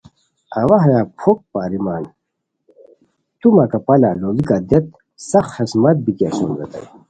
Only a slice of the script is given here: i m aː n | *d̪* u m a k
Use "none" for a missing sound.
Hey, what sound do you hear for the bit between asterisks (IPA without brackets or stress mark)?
t̪